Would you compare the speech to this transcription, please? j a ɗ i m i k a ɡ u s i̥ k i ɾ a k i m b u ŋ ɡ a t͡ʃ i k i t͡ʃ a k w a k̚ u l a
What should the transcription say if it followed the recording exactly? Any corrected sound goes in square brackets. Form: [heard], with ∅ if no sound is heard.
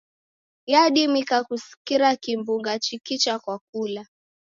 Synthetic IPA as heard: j a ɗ i m i k a [k] u s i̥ k i ɾ a k i m b u ŋ ɡ a t͡ʃ i k i t͡ʃ a k w a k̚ u l a